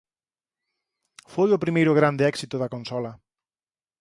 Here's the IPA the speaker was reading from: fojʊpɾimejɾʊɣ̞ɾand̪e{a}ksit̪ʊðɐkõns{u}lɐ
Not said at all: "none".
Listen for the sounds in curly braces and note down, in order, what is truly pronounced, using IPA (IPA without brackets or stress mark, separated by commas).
ɛ, ɔ